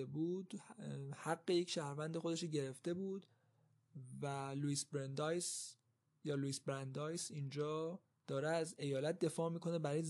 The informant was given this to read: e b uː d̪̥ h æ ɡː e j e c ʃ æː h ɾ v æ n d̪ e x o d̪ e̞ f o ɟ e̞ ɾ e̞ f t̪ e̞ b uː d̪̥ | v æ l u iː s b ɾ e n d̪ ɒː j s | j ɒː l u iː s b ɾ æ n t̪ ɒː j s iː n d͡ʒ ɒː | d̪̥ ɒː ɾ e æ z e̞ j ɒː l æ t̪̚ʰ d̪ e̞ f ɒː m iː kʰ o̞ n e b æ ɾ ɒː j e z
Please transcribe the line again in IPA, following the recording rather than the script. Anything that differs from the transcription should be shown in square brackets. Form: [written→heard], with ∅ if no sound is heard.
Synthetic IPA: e b uː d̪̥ h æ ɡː e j e c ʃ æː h ɾ v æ n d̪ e x o d̪ e̞ [f→ʃ] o ɟ e̞ ɾ e̞ f t̪ e̞ b uː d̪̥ | v æ l u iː s b ɾ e n d̪ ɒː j s | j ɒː l u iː s b ɾ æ n [t̪→d̪] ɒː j s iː n d͡ʒ ɒː | d̪̥ ɒː ɾ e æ z e̞ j ɒː l æ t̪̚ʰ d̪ e̞ f ɒː m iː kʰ o̞ n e b æ ɾ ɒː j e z